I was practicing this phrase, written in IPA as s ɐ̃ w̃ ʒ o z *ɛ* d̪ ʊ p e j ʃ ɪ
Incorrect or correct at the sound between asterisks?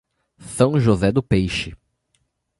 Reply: correct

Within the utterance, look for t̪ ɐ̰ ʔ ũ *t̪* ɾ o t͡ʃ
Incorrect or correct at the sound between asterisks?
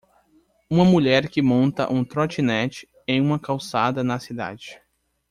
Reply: correct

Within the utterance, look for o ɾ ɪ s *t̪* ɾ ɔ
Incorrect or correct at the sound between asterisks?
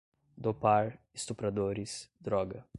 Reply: incorrect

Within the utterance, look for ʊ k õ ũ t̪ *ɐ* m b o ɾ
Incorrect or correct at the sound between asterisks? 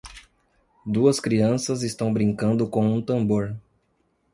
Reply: incorrect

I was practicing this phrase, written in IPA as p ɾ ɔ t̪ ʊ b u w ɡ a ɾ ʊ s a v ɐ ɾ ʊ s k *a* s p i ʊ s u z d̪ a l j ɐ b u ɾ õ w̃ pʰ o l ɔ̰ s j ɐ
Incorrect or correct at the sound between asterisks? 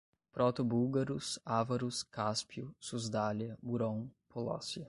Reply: correct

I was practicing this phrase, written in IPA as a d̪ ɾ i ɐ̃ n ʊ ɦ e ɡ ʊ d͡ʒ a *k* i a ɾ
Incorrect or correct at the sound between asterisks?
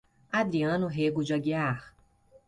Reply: incorrect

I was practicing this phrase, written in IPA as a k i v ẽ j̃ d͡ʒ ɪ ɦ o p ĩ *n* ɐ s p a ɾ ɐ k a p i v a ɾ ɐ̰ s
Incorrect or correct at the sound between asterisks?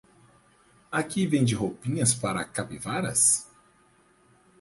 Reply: incorrect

